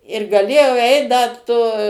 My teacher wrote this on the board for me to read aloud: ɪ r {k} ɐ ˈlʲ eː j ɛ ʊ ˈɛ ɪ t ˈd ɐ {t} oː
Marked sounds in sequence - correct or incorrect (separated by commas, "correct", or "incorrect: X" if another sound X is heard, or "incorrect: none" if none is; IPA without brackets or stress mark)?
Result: incorrect: ɡ, correct